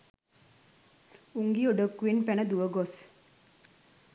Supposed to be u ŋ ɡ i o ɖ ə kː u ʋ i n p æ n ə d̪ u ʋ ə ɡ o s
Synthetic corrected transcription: u ŋ ɡ i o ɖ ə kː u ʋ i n p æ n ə d̪ u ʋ ə ɡ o s